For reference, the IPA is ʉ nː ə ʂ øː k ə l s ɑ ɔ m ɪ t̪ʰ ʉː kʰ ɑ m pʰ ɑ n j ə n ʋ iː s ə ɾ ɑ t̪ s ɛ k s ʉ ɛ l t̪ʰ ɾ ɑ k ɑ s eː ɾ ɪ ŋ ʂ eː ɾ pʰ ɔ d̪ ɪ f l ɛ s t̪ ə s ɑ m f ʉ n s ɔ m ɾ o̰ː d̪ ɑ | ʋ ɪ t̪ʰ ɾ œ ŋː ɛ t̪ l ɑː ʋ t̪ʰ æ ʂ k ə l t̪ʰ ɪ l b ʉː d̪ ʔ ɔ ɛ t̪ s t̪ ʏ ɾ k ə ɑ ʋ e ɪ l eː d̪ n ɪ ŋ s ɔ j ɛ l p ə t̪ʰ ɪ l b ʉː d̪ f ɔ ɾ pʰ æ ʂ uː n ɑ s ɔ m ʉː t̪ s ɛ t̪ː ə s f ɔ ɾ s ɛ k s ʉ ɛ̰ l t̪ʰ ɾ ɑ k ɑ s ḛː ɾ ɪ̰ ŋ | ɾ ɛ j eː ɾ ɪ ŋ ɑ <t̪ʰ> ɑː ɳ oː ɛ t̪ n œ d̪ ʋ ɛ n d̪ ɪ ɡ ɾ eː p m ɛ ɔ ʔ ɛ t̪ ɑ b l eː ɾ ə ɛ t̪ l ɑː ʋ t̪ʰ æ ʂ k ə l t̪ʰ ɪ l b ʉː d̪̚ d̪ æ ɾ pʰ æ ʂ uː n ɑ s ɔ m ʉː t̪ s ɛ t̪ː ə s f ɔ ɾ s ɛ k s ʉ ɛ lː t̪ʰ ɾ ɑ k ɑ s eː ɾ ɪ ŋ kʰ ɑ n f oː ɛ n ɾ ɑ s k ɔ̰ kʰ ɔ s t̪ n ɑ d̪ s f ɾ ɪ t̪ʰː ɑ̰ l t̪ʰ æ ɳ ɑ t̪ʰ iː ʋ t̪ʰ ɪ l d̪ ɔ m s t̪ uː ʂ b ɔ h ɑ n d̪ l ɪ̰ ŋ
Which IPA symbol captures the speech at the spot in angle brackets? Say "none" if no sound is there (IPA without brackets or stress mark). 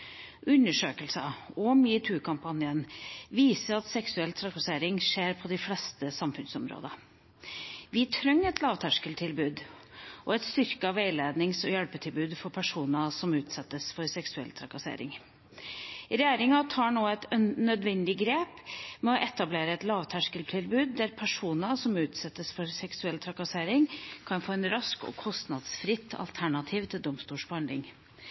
t̪ʰ